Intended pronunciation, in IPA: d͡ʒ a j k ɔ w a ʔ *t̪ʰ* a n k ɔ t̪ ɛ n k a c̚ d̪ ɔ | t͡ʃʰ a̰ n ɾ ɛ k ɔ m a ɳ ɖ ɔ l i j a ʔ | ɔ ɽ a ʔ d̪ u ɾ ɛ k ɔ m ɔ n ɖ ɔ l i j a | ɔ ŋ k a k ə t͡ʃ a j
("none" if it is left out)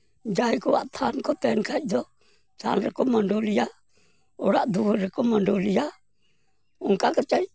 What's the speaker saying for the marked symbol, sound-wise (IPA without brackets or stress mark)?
t̪ʰ